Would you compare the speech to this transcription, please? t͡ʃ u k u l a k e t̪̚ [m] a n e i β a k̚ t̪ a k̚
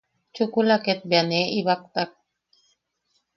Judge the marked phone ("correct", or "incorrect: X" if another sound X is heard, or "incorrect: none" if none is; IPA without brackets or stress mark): incorrect: b